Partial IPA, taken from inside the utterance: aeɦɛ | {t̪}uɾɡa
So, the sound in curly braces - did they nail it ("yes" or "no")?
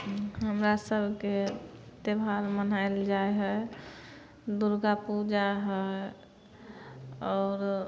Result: no